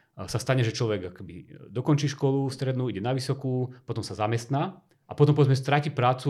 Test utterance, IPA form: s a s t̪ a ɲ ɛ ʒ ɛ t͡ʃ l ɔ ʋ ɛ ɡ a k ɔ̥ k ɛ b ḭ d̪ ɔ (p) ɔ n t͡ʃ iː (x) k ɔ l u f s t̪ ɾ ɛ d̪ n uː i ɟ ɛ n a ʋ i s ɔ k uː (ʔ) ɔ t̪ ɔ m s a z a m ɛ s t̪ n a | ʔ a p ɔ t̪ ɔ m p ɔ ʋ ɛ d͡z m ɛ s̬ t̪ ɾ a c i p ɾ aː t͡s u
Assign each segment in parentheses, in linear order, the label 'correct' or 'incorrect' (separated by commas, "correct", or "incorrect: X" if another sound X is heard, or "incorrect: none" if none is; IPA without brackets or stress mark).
incorrect: k, incorrect: ʃ, incorrect: p